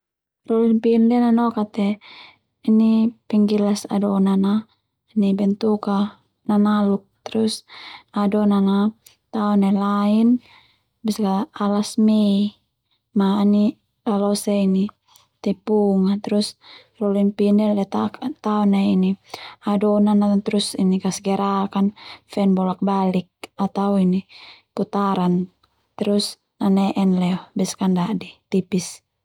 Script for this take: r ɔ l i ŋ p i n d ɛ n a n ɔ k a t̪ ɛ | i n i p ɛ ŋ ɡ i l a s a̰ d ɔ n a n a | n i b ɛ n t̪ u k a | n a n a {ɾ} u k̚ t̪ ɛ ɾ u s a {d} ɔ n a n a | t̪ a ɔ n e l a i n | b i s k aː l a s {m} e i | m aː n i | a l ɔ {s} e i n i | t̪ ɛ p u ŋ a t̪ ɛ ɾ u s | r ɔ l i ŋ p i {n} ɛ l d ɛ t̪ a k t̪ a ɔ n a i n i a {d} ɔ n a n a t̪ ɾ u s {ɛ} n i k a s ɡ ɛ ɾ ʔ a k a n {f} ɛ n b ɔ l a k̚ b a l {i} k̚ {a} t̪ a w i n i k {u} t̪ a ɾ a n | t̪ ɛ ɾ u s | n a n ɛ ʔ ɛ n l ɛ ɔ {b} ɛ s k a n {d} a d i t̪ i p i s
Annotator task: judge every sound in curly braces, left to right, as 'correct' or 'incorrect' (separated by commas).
incorrect, correct, correct, correct, correct, correct, incorrect, correct, correct, correct, correct, correct, correct